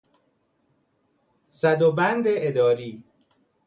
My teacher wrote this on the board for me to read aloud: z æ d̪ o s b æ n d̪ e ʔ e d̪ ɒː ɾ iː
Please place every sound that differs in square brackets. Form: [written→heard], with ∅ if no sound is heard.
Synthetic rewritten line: [z→s] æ d̪ o [s→∅] b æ n d̪ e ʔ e d̪ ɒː ɾ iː